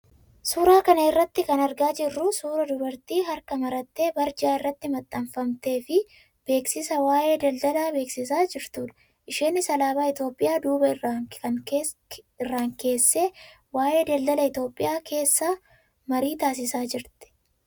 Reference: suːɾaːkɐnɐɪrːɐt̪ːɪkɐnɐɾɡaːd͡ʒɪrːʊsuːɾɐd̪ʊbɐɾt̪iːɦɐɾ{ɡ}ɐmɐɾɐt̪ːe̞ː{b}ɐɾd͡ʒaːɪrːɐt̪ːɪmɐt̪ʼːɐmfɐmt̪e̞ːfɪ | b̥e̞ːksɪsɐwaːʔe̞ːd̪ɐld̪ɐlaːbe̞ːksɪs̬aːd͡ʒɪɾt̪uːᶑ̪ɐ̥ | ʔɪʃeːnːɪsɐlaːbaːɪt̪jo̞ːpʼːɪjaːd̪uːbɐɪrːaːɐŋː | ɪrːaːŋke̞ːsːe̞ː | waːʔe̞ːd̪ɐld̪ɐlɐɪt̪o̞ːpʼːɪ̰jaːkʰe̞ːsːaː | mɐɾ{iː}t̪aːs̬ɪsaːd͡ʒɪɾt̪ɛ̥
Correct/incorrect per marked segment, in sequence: incorrect: k, correct, correct

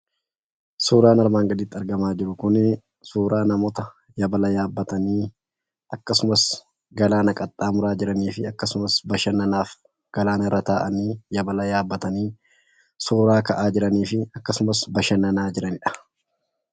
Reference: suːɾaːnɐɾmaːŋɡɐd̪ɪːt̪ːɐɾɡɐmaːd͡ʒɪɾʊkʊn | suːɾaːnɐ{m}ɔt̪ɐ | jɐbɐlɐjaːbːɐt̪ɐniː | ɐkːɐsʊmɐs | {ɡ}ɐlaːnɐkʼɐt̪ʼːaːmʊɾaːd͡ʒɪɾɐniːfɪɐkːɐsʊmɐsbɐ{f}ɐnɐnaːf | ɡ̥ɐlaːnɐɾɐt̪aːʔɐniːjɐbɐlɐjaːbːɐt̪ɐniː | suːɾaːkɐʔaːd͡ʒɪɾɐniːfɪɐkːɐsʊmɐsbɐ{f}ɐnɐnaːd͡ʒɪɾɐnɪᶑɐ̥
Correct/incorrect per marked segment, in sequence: correct, correct, incorrect: ʃ, incorrect: ʃ

